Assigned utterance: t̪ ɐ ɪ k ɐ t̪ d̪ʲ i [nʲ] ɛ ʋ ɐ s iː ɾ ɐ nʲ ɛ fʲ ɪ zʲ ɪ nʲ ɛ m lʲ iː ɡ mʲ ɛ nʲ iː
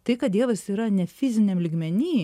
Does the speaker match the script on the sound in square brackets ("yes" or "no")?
no